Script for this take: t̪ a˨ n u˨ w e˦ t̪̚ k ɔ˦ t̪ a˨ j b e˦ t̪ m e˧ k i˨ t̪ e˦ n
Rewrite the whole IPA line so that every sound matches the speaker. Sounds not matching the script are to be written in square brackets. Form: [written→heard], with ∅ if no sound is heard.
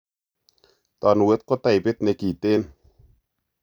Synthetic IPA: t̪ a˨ n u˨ w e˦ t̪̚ k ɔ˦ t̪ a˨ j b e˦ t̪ [m→n] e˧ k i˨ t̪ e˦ n